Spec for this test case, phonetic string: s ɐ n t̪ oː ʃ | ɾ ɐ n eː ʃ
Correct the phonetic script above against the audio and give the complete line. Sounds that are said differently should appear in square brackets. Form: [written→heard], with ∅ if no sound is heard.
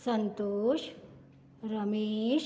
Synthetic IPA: s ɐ n t̪ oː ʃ | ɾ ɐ [n→m] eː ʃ